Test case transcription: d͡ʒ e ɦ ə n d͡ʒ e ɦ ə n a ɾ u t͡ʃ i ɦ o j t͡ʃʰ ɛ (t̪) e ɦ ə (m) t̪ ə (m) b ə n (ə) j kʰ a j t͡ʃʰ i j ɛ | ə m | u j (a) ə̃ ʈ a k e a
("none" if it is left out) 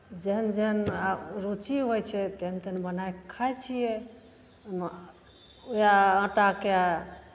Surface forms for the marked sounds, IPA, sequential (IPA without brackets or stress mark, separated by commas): t̪, n, n, a, a